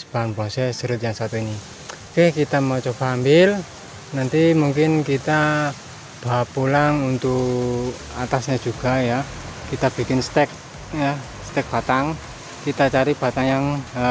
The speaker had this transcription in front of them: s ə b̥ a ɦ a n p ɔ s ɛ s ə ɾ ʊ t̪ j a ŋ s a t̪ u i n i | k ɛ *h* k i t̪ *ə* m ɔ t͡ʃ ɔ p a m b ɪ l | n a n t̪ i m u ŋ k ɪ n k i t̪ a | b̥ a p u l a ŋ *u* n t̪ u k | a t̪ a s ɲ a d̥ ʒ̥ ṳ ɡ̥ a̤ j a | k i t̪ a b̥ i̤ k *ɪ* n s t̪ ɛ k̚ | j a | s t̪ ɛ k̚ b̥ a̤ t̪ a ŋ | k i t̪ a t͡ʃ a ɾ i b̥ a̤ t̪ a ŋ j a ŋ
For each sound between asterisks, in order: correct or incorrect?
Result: correct, incorrect, correct, correct

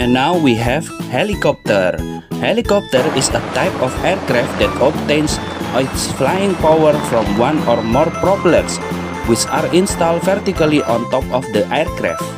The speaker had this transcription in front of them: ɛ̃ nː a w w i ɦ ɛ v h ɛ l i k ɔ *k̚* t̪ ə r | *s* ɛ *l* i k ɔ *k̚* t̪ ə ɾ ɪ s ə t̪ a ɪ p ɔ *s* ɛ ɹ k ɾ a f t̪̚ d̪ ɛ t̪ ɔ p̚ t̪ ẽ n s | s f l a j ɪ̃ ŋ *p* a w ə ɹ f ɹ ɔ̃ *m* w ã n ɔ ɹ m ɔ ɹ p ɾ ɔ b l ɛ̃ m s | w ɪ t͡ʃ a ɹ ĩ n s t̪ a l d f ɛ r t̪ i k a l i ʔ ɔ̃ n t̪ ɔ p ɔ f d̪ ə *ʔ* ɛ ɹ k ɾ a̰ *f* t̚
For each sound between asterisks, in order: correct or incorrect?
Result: incorrect, incorrect, correct, incorrect, incorrect, correct, correct, correct, correct

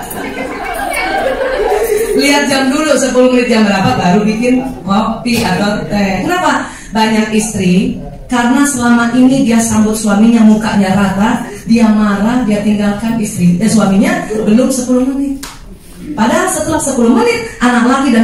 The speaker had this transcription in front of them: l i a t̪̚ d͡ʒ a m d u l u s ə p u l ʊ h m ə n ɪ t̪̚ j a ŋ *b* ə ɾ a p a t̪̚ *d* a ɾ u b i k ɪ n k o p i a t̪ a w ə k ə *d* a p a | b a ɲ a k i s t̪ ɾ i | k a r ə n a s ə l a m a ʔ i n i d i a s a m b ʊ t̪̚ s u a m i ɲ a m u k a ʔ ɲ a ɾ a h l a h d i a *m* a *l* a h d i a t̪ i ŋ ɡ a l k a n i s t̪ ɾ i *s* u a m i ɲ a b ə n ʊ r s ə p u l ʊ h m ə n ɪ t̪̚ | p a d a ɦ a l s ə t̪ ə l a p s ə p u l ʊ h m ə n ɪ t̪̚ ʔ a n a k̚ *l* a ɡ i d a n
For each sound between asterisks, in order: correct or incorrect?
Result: correct, incorrect, incorrect, correct, incorrect, correct, correct

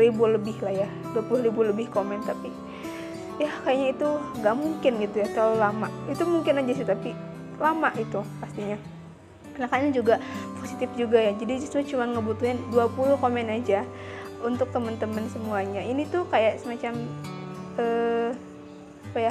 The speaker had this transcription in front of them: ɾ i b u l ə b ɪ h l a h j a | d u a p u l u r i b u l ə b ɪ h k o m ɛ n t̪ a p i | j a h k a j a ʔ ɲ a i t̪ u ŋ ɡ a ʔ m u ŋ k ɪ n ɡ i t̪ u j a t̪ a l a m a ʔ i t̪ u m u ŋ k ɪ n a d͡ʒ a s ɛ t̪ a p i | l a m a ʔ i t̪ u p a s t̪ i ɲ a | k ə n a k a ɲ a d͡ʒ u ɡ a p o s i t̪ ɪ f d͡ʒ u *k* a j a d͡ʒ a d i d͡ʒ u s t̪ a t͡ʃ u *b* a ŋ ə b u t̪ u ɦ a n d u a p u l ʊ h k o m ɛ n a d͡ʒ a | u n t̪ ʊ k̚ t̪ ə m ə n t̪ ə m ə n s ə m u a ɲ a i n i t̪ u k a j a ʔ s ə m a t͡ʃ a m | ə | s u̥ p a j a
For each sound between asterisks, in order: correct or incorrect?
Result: incorrect, incorrect

